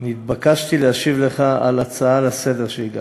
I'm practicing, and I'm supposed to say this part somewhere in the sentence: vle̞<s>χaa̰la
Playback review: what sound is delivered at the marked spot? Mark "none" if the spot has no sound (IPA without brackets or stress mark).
none